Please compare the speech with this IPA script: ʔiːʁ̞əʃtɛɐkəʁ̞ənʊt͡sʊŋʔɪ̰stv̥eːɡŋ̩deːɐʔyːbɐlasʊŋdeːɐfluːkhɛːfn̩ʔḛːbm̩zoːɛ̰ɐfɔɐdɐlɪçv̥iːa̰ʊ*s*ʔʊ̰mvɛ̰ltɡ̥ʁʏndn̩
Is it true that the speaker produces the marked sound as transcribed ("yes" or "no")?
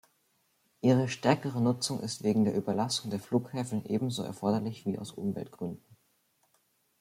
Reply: yes